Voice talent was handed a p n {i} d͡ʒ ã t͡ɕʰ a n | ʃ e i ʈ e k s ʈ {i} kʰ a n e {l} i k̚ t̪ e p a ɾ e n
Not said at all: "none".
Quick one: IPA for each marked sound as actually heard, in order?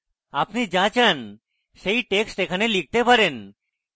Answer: i, e, l

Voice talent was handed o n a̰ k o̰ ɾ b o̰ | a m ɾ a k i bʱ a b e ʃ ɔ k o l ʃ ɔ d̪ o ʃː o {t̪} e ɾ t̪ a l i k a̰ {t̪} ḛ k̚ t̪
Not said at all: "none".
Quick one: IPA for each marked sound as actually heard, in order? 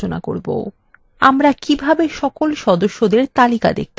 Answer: d̪, d̪

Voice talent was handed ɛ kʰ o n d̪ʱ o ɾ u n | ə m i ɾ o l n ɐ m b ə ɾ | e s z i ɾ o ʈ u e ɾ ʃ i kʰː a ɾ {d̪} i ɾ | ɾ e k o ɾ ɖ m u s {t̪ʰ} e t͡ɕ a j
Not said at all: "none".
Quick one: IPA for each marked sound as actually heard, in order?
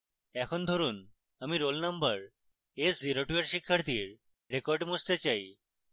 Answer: t̪, t̪

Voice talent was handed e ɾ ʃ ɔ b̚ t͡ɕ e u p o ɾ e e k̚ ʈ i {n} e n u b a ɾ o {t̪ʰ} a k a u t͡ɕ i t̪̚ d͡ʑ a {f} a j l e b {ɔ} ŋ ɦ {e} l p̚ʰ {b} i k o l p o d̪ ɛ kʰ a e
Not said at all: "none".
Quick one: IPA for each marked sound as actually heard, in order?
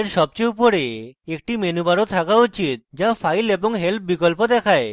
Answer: m, t̪ʰ, f, o, e, b

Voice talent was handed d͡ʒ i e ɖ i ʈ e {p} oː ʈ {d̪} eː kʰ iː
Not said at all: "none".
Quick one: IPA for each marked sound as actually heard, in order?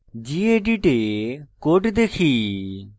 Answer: k, d̪

